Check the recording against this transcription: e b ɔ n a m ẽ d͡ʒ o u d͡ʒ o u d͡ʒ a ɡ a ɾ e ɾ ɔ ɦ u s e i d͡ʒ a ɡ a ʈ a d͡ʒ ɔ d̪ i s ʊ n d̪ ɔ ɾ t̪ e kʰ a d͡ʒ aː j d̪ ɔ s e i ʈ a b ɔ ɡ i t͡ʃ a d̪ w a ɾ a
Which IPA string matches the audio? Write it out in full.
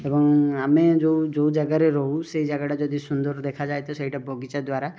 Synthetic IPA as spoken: e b ɔ ŋ a m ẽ d͡ʒ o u d͡ʒ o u d͡ʒ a ɡ a ɾ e ɾ ɔ ɦ u s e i d͡ʒ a ɡ a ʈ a d͡ʒ ɔ d̪ i s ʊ n d̪ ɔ ɾ d̪ e kʰ a d͡ʒ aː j t̪ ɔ s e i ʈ a b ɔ ɡ i t͡ʃ a d̪ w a ɾ a